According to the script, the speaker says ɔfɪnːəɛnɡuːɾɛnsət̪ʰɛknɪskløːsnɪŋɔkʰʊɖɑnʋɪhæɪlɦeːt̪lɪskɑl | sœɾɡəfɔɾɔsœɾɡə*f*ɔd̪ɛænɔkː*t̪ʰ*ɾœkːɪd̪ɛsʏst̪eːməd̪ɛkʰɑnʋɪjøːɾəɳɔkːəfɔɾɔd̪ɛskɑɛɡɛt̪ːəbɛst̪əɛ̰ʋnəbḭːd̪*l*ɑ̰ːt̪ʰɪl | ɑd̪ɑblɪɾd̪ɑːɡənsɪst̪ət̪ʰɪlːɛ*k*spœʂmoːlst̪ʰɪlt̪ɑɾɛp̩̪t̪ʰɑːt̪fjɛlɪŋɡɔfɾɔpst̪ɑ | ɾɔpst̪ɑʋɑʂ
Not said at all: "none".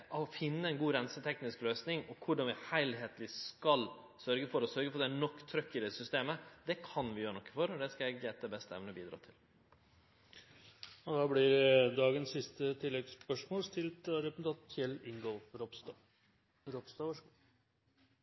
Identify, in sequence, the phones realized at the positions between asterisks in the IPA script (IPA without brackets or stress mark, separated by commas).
f, t̪ʰ, ɾ, ɡ